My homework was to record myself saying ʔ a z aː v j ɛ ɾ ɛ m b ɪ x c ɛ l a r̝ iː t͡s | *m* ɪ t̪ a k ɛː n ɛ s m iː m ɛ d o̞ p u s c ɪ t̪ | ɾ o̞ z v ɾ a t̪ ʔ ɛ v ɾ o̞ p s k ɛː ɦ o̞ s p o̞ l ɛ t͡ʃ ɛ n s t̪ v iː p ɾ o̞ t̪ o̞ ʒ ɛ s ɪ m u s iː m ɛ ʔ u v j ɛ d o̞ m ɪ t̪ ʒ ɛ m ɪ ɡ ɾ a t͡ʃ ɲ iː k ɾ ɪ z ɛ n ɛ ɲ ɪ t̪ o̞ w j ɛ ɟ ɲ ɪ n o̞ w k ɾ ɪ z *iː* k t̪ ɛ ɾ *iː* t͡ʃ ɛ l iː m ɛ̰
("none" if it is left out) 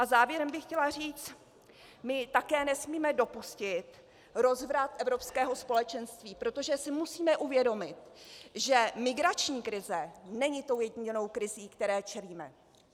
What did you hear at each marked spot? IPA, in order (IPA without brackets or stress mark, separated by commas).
m, iː, ɛː